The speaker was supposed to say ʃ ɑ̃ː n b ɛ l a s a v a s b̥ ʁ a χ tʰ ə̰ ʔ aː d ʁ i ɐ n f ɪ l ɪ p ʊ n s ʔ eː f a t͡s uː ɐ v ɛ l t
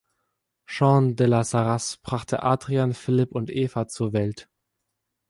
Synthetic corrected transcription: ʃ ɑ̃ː n d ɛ l a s a ʁ a s b̥ ʁ a χ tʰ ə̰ ʔ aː d ʁ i a n f ɪ l ɪ p ʊ n t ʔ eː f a t͡s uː ɐ v ɛ l t